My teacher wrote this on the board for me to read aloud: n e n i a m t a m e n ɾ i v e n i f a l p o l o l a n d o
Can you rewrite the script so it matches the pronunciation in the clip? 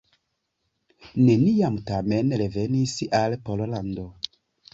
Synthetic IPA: n e n i a m t a m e n ɾ e v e n i s a l p o l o l a n d o